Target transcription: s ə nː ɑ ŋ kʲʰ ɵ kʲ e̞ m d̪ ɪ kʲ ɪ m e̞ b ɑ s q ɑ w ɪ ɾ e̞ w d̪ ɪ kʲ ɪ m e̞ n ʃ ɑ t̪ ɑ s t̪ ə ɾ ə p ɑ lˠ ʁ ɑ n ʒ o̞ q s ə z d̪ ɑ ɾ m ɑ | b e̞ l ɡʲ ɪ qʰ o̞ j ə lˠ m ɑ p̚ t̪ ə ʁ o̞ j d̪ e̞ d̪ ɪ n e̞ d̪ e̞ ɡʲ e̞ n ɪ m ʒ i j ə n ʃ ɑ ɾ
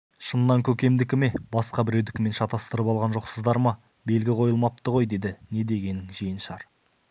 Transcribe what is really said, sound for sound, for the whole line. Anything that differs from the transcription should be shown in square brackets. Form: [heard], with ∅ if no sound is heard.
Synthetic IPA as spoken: [ʃ] ə nː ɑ ŋ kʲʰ ɵ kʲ e̞ m d̪ ɪ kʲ ɪ m e̞ b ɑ s q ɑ [b] ɪ ɾ e̞ w d̪ ɪ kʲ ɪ m e̞ n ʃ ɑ t̪ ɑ s t̪ ə ɾ ə p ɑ lˠ ʁ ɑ n ʒ o̞ q s ə z d̪ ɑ ɾ m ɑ | b e̞ l ɡʲ ɪ qʰ o̞ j ə lˠ m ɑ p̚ t̪ ə ʁ o̞ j d̪ e̞ d̪ ɪ n e̞ d̪ e̞ ɡʲ e̞ n ɪ [ŋ] ʒ i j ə n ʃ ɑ ɾ